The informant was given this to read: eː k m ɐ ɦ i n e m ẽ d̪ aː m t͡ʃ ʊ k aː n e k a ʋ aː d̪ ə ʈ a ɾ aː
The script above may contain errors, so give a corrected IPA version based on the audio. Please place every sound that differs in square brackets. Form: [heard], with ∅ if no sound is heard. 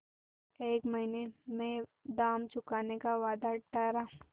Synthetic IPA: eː k m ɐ ɦ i n e m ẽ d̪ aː m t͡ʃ ʊ k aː n e k a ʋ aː d̪ [a] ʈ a ɾ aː